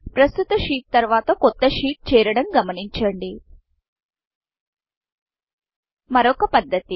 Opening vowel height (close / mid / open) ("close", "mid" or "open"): open